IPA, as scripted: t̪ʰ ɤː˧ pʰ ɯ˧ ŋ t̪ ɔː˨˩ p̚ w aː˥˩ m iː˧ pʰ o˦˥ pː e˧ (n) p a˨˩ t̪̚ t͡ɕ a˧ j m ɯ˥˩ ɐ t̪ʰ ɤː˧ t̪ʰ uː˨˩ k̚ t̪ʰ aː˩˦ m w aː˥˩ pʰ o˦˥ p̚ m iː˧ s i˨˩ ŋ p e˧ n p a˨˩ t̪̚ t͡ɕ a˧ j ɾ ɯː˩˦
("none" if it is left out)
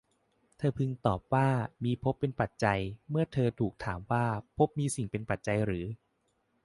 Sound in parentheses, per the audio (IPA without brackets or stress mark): n